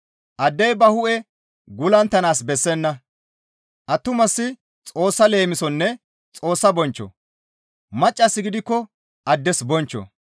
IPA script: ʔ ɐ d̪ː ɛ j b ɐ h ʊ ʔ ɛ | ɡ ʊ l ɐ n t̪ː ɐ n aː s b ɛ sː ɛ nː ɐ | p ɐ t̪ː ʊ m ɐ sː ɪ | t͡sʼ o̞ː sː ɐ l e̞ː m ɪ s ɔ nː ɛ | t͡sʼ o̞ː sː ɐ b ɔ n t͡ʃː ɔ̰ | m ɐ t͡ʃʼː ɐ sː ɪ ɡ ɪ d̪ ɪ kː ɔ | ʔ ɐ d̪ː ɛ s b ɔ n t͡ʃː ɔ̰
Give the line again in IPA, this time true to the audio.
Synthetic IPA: ʔ ɐ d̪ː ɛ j b ɐ h ʊ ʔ ɛ | ɡ ʊ l ɐ n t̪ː ɐ n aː s b ɛ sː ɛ nː ɐ | ʔ ɐ t̪ː ʊ m ɐ sː ɪ | t͡sʼ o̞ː sː ɐ l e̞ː m ɪ s ɔ nː ɛ | t͡sʼ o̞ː sː ɐ b ɔ n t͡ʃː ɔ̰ | m ɐ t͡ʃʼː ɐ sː ɪ ɡ ɪ d̪ ɪ kː ɔ | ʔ ɐ d̪ː ɛ s b ɔ n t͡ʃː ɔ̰

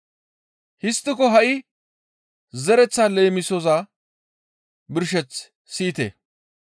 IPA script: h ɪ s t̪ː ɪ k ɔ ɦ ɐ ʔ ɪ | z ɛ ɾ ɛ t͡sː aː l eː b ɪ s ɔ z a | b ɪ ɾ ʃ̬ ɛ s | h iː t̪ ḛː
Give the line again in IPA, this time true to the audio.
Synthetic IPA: h ɪ s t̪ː ɪ k ɔ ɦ ɐ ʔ ɪ | z ɛ ɾ ɛ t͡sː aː l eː m ɪ s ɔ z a | b ɪ ɾ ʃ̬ ɛ t͡s | s iː t̪ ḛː

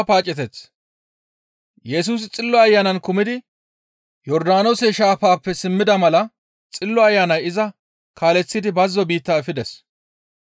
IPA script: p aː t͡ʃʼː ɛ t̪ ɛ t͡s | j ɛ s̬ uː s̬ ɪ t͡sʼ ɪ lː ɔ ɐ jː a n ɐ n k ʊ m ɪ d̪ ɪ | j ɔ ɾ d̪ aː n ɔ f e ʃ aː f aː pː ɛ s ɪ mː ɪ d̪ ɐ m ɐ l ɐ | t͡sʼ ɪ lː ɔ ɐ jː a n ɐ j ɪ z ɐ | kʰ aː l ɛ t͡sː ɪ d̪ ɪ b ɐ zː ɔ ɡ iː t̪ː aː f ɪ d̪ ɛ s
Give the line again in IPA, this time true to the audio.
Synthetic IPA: p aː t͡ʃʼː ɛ t̪ ɛ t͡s | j ɛ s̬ uː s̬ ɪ t͡sʼ ɪ lː ɔ ɐ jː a n ɐ n k ʊ m ɪ d̪ ɪ | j ɔ ɾ d̪ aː n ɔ s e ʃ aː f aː pː ɛ s ɪ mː ɪ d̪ ɐ m ɐ l ɐ | t͡sʼ ɪ lː ɔ ɐ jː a n ɐ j ɪ z ɐ | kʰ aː l ɛ t͡sː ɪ d̪ ɪ b ɐ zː ɔ b iː t̪ː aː f ɪ d̪ ɛ s

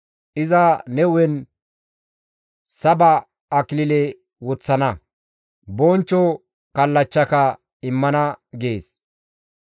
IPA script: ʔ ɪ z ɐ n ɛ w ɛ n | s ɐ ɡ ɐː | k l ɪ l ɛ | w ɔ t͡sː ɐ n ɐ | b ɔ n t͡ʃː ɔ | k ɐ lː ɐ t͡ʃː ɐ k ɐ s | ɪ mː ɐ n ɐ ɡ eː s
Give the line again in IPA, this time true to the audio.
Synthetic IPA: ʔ ɪ z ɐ n ɛ w ɛ n | s ɐ b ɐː | k l ɪ l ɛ | w ɔ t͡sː ɐ n ɐ | b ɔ n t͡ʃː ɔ | k ɐ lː ɐ t͡ʃː ɐ k ɐ | ɪ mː ɐ n ɐ ɡ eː s

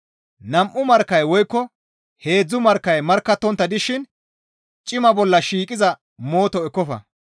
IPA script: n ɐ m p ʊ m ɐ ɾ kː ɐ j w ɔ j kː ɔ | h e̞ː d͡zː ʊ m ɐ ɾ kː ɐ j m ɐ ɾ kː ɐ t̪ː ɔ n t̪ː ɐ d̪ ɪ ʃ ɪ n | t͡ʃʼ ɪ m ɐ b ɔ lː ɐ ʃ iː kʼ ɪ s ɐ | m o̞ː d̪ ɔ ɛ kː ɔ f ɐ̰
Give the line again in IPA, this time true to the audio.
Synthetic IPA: n ɐ m ʔ ʊ m ɐ ɾ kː ɐ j w ɔ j kː ɔ | h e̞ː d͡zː ʊ m ɐ ɾ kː ɐ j m ɐ ɾ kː ɐ t̪ː ɔ n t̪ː ɐ d̪ ɪ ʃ ɪ n | t͡ʃʼ ɪ m ɐ b ɔ lː ɐ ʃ iː kʼ ɪ z ɐ | m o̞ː t̪ ɔ ɛ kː ɔ f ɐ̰

